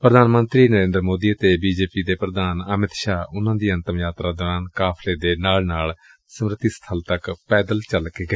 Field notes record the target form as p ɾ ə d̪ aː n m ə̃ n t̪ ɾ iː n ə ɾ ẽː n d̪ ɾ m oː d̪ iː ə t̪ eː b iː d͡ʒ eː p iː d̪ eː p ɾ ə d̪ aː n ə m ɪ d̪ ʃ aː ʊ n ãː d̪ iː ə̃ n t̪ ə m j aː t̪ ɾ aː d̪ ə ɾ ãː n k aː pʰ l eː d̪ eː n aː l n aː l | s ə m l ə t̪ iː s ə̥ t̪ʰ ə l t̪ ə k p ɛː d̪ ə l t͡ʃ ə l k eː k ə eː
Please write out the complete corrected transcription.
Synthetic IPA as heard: p ɾ ə d̪ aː n m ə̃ n t̪ ɾ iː n ə ɾ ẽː n d̪ ɾ m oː d̪ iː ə t̪ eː b iː d͡ʒ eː p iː d̪ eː p ɾ ə d̪ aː n ə m ɪ t̪ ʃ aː ʊ n ãː d̪ iː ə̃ n t̪ ə m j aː t̪ ɾ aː d̪ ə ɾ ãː n k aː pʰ l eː d̪ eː n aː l n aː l | s ə m ɾ ə t̪ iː s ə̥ t̪ʰ ə l t̪ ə k p ɛː d̪ ə l t͡ʃ ə l k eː ɡ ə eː